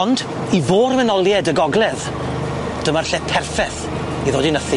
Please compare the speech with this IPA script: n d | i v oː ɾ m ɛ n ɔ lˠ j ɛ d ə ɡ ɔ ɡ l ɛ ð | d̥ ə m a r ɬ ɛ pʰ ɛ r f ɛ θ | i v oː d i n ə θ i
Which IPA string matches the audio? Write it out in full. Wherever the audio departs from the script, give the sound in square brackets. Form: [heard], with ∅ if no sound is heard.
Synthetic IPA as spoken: n d | i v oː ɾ m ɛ n ɔ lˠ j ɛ d ə ɡ ɔ ɡ l ɛ ð | d̥ ə m a r ɬ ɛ pʰ ɛ r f ɛ θ | i [ð] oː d i n ə θ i